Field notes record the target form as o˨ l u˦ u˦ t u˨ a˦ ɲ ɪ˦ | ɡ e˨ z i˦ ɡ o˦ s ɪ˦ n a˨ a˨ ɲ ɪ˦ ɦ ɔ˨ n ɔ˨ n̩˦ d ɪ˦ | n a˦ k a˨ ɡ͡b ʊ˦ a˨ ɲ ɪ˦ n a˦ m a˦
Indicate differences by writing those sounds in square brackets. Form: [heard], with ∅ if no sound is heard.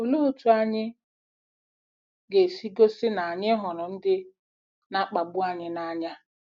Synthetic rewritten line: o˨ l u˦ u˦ t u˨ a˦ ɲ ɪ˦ | ɡ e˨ [s] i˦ ɡ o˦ s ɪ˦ n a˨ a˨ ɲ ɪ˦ ɦ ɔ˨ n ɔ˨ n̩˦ d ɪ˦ | n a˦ [k͡p] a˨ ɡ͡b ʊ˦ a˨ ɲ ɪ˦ n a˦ [ɲ] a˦